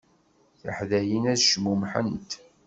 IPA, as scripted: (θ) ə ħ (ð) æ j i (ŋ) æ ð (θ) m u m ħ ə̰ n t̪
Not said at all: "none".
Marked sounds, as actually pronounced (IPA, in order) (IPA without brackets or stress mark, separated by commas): θ, ð, n, ʃ